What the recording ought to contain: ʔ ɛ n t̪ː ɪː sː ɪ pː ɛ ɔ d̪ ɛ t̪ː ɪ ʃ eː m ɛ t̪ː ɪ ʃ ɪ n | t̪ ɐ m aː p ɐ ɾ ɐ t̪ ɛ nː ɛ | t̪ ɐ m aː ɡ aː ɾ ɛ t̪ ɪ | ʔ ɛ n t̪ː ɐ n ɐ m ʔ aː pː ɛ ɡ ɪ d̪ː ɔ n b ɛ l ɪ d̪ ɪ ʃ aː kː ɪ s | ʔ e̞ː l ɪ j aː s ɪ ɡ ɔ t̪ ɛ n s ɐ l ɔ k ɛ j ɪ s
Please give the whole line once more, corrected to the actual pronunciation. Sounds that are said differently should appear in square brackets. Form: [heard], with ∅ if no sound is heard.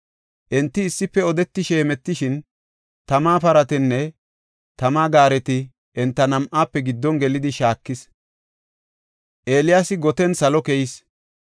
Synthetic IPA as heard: ʔ ɛ n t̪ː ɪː sː ɪ pː ɛ ɔ d̪ ɛ t̪ː ɪ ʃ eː m ɛ t̪ː ɪ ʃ ɪ n | t̪ ɐ m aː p ɐ ɾ ɐ t̪ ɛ nː ɛ | t̪ ɐ m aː ɡ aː ɾ ɛ t̪ ɪ | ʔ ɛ n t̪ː ɐ n ɐ m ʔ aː pː ɛ ɡ ɪ d̪ː ɔ n [ɡ] ɛ l ɪ d̪ ɪ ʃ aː kː ɪ s | ʔ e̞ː l ɪ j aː s ɪ ɡ ɔ t̪ ɛ n s ɐ l ɔ k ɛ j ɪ s